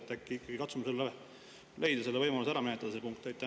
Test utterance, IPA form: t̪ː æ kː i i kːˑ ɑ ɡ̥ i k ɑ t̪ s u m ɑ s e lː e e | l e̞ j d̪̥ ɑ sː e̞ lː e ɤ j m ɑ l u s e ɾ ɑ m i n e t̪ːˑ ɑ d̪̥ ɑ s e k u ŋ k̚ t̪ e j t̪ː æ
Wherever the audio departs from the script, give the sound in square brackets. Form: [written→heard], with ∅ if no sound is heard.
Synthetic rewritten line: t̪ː æ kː i i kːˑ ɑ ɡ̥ i k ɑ t̪ s u m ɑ s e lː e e | l e̞ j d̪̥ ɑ [sː→s] e̞ lː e ɤ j m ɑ l u s [e→æ] ɾ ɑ m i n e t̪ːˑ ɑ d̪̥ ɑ s e [k→p] u ŋ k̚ t̪ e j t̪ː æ